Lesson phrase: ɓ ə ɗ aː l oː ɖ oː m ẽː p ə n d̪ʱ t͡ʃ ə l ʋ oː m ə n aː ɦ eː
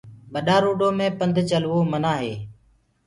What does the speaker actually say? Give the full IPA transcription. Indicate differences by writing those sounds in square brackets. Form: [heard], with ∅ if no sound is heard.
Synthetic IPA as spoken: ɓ ə ɗ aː [ɾ] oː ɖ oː m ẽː p ə n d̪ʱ t͡ʃ ə l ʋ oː m ə n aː ɦ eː